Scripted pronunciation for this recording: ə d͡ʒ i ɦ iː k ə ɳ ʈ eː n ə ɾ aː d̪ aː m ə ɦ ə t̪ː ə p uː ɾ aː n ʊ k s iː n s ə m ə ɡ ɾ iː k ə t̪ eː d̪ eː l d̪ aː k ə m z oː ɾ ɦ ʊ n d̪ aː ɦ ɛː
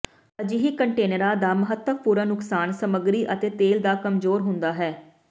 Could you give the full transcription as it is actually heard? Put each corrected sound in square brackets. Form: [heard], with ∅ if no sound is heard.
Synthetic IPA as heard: ə d͡ʒ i ɦ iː k ə ɳ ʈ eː n ə ɾ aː d̪ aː m ə ɦ ə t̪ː ə p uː ɾ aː n ʊ k s [aː] n s ə m ə ɡ ɾ iː [ʔ] ə t̪ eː [t̪] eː l d̪ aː k ə m z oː ɾ ɦ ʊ n d̪ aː ɦ ɛː